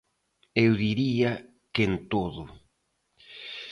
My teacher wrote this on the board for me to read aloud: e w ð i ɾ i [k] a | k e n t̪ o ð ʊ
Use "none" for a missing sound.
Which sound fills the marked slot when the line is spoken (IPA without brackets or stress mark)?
none